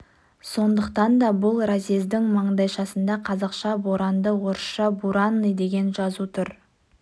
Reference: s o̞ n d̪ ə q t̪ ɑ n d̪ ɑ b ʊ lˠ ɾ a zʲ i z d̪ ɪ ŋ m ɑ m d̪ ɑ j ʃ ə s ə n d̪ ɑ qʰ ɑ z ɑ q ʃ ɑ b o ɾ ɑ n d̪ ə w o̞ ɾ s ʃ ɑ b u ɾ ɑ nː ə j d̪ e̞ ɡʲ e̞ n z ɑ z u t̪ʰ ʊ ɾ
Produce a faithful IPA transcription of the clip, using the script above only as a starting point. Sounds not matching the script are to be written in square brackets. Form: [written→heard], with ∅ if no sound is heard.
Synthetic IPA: s o̞ n d̪ ə q t̪ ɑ n d̪ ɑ b ʊ lˠ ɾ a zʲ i z d̪ ɪ ŋ m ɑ [m→ɴ] d̪ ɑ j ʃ [ə→ɑ] s ə n d̪ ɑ qʰ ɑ z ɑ q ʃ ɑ b o ɾ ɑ n d̪ ə w o̞ ɾ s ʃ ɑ b u ɾ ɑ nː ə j d̪ e̞ ɡʲ e̞ n [z→ʒ] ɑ z u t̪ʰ ʊ ɾ